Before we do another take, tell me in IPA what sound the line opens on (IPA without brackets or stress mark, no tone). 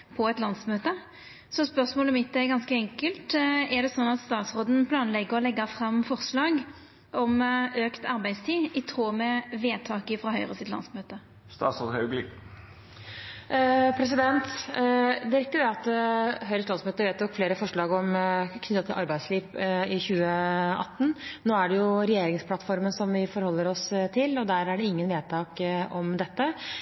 pʰ